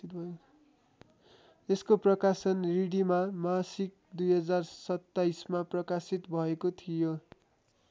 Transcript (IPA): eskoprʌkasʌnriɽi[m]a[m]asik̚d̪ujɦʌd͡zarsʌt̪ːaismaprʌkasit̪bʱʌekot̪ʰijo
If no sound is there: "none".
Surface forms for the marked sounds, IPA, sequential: m, m

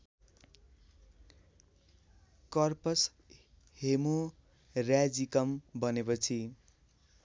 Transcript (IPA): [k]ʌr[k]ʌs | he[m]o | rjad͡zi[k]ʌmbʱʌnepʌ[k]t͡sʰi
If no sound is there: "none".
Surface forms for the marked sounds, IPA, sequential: k, p, m, k, none

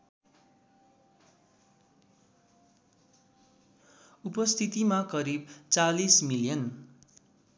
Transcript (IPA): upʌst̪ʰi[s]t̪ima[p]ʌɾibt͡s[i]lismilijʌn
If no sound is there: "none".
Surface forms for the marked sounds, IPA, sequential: none, k, a

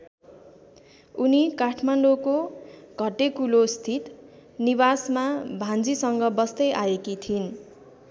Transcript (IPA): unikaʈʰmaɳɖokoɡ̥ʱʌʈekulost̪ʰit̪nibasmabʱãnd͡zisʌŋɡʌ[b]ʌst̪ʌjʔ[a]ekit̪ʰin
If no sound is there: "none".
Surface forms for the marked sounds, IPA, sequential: b, a

